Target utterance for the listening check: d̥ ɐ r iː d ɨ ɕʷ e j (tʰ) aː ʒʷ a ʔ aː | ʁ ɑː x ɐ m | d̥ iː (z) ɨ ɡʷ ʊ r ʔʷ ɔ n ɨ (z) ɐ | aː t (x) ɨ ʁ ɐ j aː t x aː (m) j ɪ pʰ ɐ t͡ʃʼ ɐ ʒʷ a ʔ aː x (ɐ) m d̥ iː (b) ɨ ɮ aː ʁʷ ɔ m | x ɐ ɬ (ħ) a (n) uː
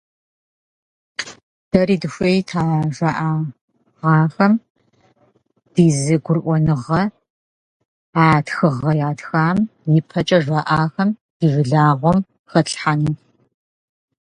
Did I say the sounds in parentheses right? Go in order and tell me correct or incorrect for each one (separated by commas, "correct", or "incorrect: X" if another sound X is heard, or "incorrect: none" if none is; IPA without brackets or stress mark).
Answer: correct, correct, incorrect: ʁ, correct, correct, correct, incorrect: v, correct, correct